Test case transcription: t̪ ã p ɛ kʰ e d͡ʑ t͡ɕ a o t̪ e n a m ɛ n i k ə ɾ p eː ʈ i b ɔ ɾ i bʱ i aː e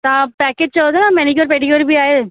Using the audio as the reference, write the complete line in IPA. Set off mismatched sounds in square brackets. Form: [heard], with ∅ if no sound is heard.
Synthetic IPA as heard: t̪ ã p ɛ [k] e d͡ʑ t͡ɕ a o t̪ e n a m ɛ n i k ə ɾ p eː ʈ i [ɡ] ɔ ɾ i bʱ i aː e